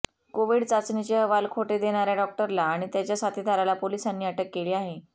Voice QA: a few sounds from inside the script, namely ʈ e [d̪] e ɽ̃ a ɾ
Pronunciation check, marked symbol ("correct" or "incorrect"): correct